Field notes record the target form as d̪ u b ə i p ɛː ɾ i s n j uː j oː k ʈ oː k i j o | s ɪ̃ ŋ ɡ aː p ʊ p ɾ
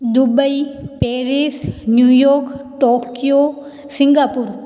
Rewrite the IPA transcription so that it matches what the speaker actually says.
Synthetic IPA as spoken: d̪ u b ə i p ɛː ɾ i s n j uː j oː k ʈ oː k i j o | s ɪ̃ ŋ ɡ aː p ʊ ɾ